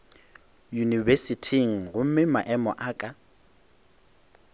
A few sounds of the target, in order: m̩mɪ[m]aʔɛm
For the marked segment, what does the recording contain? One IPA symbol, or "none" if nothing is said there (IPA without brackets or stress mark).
m